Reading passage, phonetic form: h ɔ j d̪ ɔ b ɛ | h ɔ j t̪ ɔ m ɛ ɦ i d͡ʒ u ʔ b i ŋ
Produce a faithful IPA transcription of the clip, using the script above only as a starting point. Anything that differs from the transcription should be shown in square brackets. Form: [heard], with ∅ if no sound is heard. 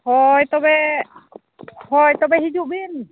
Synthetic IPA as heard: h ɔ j [t̪] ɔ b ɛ | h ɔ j t̪ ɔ [b] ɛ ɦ i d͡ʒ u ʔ b i [n]